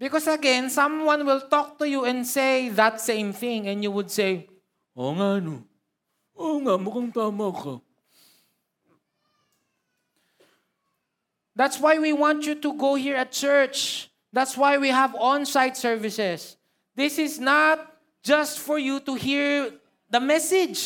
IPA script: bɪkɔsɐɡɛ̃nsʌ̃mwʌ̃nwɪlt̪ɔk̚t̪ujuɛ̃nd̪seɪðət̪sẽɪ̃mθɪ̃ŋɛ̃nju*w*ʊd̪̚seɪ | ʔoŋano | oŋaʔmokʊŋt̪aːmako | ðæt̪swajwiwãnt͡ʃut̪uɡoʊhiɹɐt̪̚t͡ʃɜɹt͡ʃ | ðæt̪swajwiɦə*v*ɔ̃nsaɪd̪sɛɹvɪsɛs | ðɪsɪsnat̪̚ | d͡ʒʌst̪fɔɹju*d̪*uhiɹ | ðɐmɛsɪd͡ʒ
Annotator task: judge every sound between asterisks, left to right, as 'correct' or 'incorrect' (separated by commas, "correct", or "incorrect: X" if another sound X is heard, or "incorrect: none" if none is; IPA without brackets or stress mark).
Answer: correct, correct, incorrect: t̪